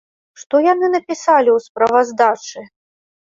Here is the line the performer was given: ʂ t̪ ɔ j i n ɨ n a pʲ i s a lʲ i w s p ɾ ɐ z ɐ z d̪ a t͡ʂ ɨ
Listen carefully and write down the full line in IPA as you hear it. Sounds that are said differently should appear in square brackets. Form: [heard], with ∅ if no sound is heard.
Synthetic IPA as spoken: ʂ t̪ ɔ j [a] n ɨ n [ɐ] pʲ i s a lʲ i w s p ɾ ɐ [v] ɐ z d̪ a t͡ʂ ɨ